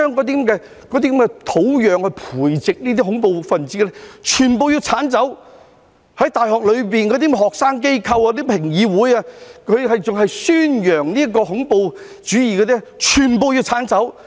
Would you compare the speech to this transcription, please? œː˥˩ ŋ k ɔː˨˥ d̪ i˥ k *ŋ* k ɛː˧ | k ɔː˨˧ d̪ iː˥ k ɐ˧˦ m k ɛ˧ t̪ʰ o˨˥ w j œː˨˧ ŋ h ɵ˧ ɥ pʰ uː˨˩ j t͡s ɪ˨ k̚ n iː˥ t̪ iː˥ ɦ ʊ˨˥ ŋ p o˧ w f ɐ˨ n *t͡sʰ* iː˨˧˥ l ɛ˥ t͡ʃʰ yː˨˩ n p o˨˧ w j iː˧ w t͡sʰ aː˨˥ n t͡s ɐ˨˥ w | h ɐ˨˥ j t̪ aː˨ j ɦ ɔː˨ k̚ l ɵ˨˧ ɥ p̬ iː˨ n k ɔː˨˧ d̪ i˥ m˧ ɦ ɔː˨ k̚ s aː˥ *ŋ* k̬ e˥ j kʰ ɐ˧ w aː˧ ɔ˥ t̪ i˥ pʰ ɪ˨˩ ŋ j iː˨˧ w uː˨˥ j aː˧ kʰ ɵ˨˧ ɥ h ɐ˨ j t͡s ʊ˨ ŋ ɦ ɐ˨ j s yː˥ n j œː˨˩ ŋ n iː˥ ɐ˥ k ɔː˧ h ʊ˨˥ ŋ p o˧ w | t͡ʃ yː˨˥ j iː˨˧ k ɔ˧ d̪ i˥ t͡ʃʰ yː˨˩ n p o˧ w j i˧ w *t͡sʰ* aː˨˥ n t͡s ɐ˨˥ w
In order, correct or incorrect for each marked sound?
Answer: incorrect: m, incorrect: t͡s, correct, correct

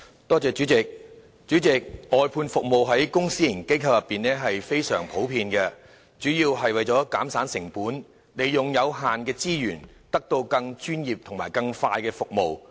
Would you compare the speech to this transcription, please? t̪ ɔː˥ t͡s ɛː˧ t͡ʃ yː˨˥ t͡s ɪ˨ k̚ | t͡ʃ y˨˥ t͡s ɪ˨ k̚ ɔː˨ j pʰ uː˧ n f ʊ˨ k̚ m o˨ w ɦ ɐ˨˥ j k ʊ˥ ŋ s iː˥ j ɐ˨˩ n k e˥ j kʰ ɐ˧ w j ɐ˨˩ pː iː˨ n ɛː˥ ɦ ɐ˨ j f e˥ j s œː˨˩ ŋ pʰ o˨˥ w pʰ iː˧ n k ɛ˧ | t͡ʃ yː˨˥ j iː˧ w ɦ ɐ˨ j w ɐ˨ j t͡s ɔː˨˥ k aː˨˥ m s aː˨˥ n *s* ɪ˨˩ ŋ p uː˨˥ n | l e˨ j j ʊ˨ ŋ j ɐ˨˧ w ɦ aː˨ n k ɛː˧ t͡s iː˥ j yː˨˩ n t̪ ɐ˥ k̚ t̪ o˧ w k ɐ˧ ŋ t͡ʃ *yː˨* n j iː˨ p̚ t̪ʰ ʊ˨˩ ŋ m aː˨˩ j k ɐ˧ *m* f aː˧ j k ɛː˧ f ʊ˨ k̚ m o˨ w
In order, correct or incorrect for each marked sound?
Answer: correct, incorrect: yː˥, incorrect: ŋ

